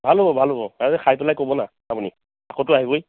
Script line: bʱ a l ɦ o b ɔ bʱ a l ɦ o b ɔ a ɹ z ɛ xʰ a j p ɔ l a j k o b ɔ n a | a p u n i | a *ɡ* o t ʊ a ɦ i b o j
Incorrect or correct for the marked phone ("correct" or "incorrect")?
incorrect